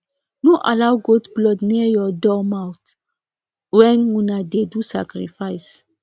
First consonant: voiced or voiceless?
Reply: voiced